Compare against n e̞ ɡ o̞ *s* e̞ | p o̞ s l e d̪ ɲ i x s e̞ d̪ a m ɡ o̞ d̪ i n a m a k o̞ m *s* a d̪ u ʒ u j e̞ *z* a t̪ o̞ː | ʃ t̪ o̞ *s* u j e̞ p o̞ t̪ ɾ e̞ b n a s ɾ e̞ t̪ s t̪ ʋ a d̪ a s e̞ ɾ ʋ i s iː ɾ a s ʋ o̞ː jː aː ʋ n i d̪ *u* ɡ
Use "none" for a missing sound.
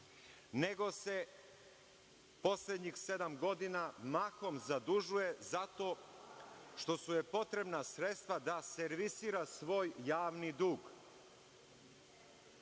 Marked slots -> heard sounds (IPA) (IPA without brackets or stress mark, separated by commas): s, z, z, s, uː